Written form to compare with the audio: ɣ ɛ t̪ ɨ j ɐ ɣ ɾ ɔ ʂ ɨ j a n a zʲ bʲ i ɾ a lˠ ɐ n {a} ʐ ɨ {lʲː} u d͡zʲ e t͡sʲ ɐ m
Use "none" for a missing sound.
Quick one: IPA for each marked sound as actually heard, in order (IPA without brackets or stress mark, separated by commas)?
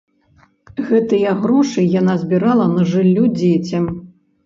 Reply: ɐ, lʲː